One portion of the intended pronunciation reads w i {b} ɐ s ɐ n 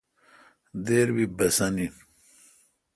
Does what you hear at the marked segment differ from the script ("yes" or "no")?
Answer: no